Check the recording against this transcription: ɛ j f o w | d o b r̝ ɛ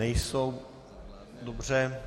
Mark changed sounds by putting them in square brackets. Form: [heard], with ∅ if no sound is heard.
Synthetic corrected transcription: ɛ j [s] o w | d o b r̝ ɛ